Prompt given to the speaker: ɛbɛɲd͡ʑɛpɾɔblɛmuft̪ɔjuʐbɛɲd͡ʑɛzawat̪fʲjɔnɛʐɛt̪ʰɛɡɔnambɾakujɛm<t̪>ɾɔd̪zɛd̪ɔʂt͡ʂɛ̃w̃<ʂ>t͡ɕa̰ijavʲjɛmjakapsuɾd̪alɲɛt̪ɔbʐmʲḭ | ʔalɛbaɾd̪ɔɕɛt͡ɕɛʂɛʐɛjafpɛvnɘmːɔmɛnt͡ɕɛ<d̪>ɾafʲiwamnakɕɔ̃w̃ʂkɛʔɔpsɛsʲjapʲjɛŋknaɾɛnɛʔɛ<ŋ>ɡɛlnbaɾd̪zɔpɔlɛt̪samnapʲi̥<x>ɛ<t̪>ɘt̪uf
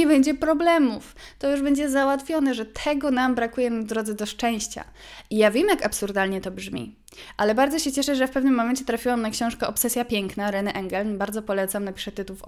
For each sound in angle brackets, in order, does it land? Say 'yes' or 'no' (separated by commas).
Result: no, no, no, yes, no, yes